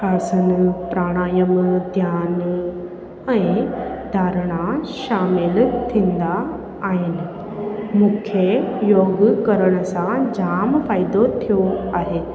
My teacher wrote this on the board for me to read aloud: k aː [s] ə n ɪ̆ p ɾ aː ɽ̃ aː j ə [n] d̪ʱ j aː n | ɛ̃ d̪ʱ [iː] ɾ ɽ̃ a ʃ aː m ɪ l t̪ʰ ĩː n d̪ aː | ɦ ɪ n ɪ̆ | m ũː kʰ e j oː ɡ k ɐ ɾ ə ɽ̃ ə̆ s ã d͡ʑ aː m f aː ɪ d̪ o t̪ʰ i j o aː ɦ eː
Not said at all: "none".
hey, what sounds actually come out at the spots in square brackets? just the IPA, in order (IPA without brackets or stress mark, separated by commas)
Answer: s, m, aː